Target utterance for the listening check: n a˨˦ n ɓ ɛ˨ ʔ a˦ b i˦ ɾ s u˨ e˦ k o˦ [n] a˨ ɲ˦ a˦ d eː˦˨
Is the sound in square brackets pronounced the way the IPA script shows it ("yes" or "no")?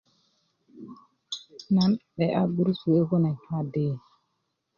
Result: yes